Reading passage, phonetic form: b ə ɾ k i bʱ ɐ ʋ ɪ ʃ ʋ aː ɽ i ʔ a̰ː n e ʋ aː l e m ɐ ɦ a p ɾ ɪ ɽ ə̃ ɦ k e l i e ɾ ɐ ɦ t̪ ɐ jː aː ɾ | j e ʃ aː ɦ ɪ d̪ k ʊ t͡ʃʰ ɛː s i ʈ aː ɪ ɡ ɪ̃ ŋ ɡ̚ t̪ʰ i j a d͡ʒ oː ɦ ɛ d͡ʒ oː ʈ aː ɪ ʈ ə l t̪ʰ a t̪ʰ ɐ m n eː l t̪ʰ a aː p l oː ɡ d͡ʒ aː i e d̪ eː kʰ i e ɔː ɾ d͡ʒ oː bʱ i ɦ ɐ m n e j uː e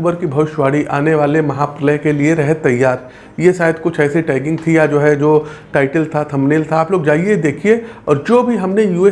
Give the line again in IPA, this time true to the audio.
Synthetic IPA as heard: b ə ɾ k i bʱ ɐ ʋ ɪ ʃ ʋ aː ɽ i ʔ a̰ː n e ʋ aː l e m ɐ ɦ a p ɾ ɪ l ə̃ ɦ k e l i e ɾ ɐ ɦ t̪ ɐ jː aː ɾ | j e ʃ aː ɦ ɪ d̪ k ʊ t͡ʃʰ ɛː s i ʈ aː ɪ ɡ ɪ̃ ŋ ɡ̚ t̪ʰ i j a d͡ʒ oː ɦ ɛ d͡ʒ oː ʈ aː ɪ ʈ ə l t̪ʰ a t̪ʰ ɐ m n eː l t̪ʰ a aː p l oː ɡ d͡ʒ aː i e d̪ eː kʰ i e ɔː ɾ d͡ʒ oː bʱ i ɦ ɐ m n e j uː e